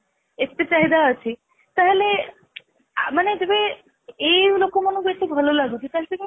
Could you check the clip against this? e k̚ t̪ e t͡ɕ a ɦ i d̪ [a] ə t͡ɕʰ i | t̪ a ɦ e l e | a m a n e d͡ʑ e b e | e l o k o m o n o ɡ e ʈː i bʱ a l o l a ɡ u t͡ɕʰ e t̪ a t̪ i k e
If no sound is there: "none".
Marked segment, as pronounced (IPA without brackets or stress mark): a